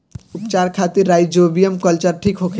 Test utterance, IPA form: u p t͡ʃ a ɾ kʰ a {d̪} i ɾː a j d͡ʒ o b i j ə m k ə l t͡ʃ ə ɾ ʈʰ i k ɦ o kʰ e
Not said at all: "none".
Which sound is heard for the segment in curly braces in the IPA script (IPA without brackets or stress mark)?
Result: t̪